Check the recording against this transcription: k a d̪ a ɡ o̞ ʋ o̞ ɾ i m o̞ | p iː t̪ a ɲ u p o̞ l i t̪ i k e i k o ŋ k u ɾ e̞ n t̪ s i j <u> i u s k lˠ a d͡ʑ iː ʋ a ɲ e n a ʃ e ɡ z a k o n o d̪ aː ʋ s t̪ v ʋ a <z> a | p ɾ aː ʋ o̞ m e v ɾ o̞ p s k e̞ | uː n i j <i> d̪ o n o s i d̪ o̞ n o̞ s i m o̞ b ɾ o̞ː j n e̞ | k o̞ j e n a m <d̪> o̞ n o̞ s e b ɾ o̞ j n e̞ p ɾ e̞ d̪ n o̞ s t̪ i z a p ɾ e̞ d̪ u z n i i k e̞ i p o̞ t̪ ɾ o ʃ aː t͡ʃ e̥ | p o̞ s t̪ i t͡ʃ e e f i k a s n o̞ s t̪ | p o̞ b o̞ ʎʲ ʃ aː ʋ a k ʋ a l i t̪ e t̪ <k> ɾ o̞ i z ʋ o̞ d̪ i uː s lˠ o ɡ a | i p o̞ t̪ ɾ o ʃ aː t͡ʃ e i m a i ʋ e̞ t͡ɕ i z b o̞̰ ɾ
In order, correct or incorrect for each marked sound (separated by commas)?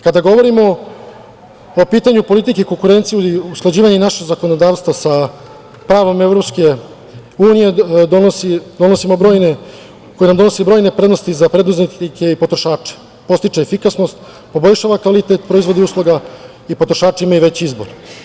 correct, incorrect, incorrect, correct, incorrect